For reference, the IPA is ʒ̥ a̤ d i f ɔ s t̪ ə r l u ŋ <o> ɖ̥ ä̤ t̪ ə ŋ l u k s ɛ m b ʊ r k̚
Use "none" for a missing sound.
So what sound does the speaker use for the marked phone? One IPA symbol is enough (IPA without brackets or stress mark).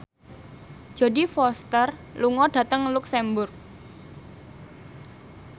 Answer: ɔ